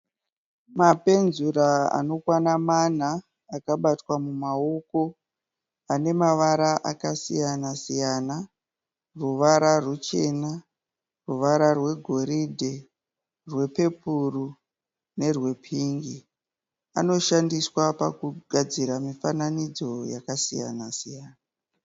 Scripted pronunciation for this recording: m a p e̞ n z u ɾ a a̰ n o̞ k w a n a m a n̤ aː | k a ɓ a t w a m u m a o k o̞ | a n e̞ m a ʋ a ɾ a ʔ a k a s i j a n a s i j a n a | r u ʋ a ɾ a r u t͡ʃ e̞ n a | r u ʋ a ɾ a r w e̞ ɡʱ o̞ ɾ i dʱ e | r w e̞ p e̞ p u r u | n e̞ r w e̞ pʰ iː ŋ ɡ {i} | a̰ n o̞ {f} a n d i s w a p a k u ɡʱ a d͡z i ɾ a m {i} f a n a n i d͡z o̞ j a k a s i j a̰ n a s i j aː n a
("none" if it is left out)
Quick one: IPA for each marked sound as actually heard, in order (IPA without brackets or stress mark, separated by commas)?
i, ʃ, i